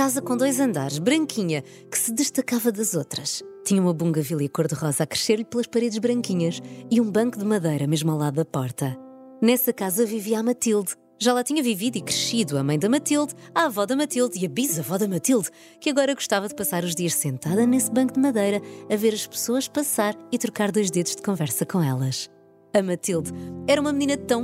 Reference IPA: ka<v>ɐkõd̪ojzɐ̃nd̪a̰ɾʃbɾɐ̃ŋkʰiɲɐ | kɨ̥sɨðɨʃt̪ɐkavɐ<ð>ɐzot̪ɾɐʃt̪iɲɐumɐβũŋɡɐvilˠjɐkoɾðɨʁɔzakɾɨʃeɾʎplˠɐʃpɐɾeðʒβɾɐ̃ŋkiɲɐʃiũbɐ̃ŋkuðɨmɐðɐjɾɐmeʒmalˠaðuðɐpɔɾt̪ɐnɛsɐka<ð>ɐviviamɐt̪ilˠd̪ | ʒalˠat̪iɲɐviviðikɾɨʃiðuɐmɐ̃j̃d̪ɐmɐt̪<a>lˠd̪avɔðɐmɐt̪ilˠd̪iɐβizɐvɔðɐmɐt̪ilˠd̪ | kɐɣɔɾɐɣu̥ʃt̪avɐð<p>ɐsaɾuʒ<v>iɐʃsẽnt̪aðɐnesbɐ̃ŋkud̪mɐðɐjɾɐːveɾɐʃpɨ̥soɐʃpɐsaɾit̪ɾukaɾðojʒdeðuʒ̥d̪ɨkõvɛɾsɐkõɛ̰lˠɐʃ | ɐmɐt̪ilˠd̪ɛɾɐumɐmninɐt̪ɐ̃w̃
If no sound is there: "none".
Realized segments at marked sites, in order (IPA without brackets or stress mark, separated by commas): z, ð, z, i, p, ð